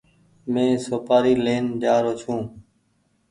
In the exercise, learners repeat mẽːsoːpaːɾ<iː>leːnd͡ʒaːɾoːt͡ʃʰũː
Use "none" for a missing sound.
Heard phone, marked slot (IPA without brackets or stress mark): iː